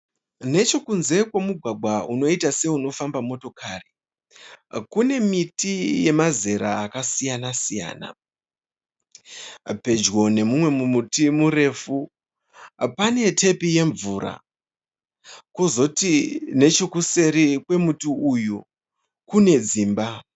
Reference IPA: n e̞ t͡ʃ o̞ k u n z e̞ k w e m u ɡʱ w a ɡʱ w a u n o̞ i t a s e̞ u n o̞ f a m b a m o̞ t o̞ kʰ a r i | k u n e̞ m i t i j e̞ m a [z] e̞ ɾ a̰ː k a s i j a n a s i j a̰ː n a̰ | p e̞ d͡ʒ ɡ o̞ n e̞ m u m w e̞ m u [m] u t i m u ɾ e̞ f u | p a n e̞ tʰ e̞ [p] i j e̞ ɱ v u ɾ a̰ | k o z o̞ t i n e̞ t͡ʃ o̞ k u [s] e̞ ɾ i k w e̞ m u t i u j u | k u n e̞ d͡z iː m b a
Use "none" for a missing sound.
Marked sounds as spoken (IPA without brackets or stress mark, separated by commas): z, m, p, s